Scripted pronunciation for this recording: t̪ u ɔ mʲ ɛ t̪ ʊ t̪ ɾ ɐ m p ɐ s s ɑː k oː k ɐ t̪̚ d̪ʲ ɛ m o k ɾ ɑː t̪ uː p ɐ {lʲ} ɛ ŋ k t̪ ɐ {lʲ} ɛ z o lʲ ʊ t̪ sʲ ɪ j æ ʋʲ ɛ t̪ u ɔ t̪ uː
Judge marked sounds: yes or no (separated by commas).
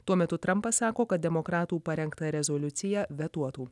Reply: no, no